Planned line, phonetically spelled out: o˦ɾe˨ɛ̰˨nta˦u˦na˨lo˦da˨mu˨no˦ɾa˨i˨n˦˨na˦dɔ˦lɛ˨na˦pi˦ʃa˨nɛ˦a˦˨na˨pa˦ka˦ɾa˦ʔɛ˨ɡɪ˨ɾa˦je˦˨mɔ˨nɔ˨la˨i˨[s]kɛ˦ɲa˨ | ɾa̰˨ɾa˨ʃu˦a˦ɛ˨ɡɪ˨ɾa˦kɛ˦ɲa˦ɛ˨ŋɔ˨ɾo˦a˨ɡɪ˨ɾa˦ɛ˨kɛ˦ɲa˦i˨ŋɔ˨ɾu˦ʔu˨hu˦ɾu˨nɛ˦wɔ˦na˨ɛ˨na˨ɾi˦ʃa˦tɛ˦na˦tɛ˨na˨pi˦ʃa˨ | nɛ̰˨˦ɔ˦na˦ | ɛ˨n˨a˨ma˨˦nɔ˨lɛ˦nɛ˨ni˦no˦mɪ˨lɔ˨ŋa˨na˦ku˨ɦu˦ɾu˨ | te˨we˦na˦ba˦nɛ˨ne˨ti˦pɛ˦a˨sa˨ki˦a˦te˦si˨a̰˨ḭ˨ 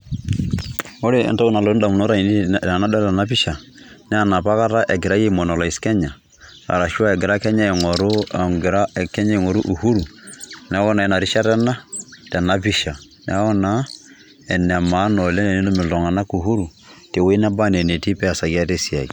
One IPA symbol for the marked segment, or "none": s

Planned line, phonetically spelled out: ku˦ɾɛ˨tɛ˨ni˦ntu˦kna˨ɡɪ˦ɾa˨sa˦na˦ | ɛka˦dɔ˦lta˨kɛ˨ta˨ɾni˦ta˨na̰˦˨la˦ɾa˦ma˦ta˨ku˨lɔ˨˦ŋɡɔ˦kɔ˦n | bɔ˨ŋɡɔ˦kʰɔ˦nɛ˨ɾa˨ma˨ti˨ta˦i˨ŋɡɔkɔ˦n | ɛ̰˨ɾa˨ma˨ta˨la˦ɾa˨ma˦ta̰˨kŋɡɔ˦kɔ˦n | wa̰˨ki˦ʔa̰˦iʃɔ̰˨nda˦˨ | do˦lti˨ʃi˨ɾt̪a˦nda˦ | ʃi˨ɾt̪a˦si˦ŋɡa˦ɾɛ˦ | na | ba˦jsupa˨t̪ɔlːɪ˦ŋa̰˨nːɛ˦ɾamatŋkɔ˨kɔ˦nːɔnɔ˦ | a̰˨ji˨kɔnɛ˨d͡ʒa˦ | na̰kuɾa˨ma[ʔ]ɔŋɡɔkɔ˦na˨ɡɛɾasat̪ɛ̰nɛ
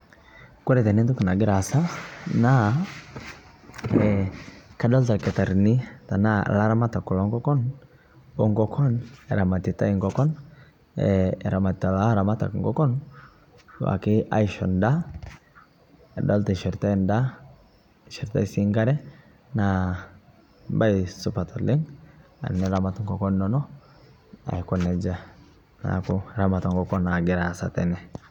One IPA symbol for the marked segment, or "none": t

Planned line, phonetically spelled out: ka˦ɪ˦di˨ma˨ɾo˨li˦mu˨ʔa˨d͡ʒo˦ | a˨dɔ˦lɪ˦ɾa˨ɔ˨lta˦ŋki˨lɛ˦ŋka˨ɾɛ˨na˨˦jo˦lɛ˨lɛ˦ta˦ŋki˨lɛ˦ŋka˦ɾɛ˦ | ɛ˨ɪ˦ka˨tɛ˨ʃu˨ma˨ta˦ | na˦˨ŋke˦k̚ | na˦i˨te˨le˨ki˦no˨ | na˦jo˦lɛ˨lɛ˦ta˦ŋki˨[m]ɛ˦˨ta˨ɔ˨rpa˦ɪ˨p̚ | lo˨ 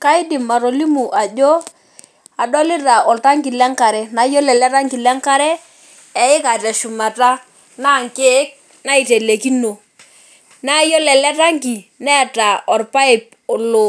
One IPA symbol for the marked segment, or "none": n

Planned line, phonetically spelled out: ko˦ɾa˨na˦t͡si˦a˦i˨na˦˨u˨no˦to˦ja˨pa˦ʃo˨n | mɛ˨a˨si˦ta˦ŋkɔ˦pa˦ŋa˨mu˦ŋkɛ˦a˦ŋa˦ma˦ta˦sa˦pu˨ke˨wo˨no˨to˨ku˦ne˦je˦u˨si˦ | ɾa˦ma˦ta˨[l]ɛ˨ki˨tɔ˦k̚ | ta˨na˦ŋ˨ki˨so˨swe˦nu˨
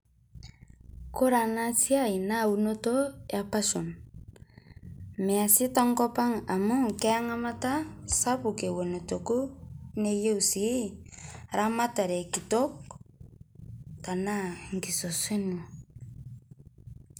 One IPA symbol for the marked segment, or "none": ɾ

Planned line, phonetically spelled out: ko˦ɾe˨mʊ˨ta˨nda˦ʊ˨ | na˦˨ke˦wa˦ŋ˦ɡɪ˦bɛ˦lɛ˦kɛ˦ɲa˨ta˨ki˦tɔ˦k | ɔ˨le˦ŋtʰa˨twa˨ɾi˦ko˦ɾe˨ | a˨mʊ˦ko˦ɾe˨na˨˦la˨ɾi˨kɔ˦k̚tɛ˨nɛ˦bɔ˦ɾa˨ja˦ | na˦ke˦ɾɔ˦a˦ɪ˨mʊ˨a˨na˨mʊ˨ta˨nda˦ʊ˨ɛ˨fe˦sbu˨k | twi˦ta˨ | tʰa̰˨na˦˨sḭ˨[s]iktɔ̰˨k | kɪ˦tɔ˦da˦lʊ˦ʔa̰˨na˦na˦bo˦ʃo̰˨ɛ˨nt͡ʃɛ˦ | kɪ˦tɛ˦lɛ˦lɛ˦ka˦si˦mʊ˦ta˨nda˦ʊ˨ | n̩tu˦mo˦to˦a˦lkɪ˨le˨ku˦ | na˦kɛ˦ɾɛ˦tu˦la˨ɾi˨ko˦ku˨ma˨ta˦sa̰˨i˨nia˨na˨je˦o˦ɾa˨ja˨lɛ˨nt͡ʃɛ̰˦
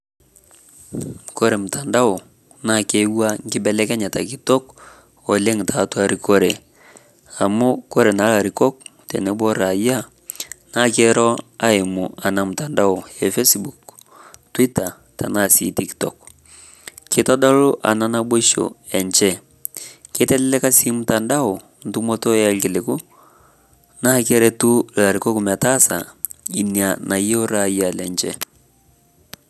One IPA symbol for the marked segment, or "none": t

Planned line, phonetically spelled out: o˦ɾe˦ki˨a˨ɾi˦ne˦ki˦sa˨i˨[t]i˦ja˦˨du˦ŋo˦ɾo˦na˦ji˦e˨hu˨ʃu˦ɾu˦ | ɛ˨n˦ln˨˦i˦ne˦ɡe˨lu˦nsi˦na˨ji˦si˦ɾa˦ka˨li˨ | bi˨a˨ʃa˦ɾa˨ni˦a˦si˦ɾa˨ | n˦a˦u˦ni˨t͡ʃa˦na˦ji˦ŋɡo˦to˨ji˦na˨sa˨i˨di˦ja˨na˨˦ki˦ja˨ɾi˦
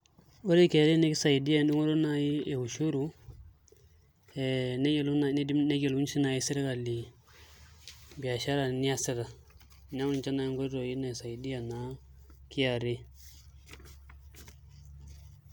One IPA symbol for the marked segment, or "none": d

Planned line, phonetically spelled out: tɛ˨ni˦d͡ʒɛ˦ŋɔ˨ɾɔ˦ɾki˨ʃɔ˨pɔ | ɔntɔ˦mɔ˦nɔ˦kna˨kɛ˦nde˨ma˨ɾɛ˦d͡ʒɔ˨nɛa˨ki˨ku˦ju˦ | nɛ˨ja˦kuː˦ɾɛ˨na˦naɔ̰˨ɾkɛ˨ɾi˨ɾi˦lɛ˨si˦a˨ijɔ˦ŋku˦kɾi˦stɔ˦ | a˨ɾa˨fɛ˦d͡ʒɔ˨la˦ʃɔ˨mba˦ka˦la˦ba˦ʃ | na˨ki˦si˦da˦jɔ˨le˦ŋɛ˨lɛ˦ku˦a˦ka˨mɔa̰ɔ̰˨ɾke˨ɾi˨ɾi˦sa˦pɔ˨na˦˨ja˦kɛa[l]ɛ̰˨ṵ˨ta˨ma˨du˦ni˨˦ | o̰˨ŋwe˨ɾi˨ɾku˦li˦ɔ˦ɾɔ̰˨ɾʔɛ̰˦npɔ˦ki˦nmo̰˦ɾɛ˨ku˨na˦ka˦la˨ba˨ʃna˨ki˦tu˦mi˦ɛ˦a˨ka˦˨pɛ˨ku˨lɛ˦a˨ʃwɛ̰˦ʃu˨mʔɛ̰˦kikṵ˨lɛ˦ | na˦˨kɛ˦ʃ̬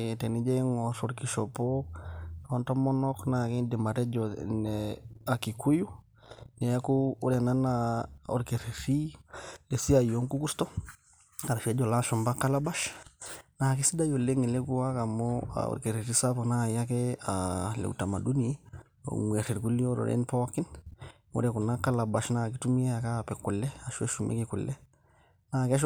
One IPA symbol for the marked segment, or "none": l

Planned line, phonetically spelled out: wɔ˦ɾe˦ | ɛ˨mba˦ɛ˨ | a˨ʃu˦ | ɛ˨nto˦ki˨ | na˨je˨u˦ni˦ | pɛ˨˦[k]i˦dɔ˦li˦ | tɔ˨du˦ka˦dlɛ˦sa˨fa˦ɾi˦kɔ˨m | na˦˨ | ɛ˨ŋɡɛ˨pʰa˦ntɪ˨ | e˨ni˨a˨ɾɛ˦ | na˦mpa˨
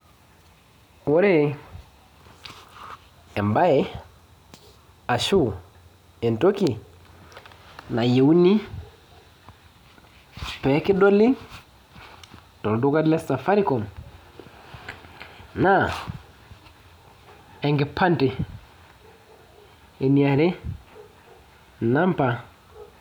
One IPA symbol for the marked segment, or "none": k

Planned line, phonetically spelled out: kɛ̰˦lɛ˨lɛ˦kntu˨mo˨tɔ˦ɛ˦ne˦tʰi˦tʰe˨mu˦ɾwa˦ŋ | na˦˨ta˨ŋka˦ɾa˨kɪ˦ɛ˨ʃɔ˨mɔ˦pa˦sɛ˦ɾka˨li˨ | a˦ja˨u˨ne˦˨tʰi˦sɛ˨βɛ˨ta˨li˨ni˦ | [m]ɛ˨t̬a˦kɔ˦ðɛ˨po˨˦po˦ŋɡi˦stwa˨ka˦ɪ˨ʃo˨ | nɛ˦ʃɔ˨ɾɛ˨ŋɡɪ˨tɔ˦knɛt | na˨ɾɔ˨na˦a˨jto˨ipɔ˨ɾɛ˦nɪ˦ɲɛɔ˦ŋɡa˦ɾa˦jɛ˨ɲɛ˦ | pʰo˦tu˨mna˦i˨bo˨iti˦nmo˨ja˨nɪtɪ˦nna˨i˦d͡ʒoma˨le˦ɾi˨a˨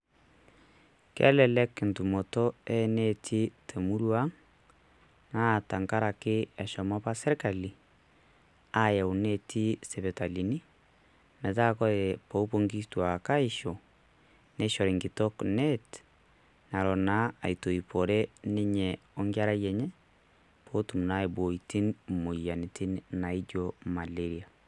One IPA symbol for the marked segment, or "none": m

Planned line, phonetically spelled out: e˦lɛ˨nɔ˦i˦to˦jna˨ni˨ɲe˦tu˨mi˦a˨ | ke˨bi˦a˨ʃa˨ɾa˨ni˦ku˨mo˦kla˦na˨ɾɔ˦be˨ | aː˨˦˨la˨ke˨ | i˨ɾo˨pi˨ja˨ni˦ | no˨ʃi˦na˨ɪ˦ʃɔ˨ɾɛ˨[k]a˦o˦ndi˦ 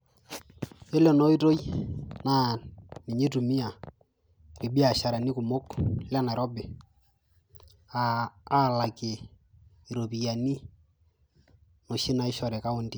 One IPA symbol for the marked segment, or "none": k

